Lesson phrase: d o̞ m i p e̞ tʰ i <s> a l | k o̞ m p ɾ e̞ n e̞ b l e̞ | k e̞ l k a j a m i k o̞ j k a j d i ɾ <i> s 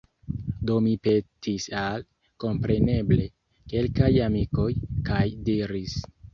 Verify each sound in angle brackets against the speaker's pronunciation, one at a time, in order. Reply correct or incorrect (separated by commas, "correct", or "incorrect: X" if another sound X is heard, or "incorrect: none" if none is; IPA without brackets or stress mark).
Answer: correct, correct